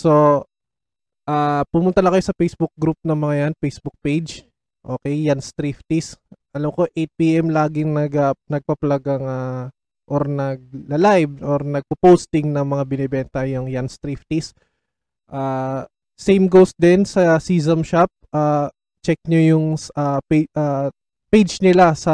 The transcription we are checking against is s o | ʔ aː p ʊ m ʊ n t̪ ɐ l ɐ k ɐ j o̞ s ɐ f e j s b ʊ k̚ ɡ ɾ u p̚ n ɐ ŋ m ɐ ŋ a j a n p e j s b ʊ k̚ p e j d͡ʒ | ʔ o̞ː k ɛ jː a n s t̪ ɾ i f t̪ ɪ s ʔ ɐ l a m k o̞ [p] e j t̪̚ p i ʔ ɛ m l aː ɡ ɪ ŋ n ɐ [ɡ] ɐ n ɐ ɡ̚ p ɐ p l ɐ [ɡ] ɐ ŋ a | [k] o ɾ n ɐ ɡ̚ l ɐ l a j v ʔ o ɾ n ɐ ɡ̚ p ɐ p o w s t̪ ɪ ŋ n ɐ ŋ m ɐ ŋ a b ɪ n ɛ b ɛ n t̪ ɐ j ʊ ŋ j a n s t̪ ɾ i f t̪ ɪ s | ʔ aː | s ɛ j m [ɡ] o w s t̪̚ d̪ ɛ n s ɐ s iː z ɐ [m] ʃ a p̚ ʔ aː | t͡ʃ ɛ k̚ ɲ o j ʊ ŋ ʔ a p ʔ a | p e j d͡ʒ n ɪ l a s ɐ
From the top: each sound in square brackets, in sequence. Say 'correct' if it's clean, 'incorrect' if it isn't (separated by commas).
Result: incorrect, correct, correct, incorrect, correct, correct